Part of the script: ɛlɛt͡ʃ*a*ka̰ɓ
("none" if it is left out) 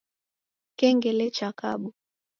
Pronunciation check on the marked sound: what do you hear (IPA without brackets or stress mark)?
a